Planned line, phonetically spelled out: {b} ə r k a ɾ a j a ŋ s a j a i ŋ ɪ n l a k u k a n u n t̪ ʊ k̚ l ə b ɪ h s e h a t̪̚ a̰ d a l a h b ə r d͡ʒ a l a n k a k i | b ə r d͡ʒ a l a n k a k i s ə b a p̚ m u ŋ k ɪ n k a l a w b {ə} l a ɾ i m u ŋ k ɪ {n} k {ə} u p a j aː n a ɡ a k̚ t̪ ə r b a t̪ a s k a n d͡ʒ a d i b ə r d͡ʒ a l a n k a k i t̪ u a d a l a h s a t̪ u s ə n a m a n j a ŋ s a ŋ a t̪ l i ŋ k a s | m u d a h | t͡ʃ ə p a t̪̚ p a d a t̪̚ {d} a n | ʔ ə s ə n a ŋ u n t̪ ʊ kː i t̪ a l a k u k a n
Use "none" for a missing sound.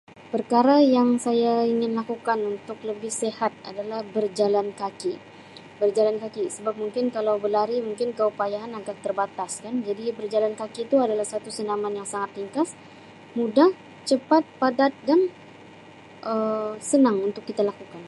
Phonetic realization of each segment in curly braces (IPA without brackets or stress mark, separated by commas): p, ə, n, ə, d